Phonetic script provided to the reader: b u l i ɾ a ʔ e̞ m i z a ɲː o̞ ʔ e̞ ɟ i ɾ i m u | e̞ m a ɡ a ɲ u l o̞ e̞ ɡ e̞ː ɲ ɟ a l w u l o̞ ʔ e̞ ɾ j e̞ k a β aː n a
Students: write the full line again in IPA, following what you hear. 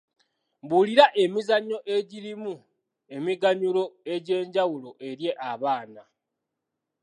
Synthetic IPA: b u l i ɾ a ʔ e̞ m i z a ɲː o̞ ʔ e̞ ɟ i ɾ i m u | e̞ m i ɡ a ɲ u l o̞ e̞ ɟ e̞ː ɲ ɟ a w u l o̞ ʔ e̞ ɾ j e̞ ʔ a β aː n a